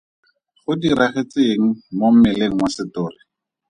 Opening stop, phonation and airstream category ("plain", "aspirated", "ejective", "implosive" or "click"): plain